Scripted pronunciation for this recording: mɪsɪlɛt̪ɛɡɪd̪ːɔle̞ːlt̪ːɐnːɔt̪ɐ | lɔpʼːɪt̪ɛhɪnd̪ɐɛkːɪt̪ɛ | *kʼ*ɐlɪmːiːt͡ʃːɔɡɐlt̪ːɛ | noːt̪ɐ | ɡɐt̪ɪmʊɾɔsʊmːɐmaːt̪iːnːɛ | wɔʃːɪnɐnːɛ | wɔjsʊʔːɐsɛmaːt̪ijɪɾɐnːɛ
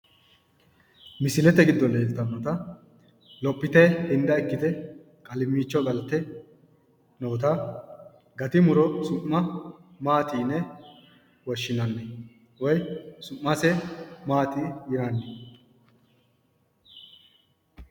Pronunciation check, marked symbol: correct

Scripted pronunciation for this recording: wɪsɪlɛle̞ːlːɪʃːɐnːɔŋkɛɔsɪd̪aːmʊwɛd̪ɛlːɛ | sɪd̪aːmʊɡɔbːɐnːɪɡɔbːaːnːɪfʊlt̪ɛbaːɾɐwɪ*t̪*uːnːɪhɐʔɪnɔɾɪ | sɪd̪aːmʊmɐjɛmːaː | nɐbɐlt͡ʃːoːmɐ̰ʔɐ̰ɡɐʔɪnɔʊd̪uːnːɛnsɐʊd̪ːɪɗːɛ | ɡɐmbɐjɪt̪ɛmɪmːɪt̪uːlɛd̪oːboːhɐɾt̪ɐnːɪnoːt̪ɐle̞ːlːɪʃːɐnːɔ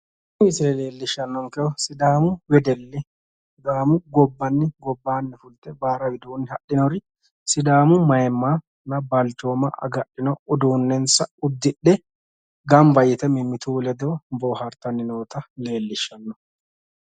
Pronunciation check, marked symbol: incorrect: d̪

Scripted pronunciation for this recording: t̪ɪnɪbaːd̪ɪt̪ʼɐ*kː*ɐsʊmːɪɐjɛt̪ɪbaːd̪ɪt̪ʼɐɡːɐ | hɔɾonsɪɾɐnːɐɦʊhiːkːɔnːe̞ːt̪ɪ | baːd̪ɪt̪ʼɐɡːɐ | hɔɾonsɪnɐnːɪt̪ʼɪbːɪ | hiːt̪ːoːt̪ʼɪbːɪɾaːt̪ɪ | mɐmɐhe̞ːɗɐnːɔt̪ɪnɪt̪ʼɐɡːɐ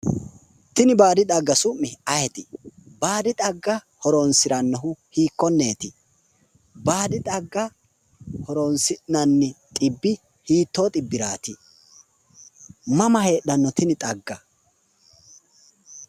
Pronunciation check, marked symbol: incorrect: ɡː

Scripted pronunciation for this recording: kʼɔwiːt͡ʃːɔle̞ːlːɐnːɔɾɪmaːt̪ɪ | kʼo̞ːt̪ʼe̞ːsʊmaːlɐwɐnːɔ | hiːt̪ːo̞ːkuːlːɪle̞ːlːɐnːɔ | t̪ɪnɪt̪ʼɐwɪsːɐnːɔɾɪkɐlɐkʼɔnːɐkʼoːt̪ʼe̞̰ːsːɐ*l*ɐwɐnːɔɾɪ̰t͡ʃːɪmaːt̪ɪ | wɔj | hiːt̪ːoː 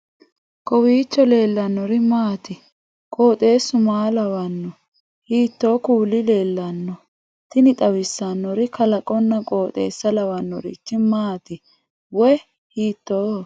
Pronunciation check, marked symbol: correct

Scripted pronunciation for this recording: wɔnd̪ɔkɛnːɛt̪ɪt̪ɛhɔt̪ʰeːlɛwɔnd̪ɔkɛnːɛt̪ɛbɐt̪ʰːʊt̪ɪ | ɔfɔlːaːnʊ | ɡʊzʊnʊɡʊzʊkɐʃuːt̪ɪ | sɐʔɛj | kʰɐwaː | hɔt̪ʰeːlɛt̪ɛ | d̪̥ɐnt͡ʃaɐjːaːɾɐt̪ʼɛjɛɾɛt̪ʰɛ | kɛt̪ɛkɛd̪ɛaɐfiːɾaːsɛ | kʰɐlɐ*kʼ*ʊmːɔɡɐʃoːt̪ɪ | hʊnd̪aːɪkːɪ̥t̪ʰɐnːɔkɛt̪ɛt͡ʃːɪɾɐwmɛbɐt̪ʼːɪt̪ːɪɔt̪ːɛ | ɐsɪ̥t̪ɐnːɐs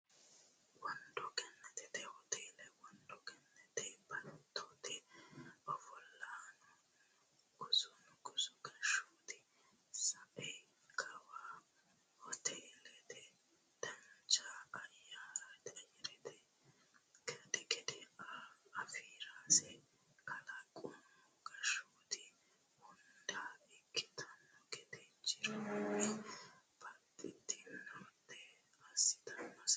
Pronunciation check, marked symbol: correct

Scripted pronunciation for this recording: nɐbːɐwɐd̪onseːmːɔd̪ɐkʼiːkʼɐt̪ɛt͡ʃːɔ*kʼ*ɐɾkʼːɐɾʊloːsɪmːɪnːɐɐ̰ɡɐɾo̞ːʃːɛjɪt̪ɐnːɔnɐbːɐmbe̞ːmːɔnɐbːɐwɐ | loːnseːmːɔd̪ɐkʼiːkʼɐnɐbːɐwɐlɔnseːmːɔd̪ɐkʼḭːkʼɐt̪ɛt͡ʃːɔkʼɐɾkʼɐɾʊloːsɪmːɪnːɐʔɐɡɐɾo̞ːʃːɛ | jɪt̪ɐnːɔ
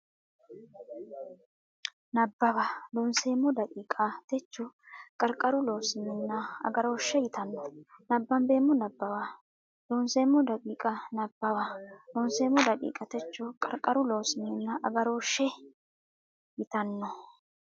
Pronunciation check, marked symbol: correct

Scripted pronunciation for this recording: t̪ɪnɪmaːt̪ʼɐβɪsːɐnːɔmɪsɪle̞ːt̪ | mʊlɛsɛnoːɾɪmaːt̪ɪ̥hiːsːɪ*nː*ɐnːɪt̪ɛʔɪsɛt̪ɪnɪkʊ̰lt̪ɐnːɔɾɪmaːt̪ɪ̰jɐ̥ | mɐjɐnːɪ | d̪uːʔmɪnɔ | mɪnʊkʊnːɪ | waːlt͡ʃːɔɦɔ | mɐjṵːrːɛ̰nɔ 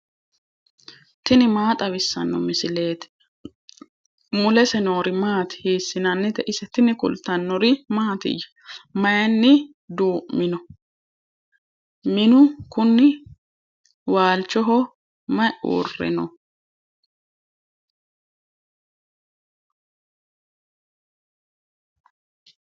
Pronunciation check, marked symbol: incorrect: n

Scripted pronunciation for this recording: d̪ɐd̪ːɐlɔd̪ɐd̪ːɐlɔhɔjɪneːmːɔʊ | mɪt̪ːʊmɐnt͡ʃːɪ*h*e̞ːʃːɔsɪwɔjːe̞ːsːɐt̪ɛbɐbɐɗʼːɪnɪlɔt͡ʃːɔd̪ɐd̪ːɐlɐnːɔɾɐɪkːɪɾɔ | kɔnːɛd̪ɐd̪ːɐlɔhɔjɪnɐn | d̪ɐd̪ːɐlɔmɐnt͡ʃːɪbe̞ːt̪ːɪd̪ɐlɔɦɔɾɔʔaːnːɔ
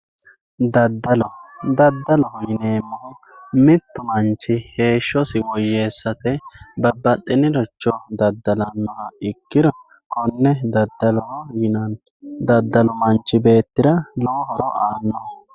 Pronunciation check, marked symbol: correct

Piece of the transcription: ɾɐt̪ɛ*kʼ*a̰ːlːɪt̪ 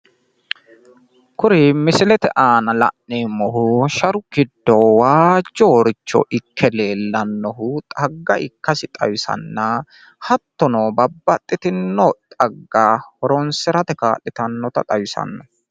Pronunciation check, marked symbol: incorrect: k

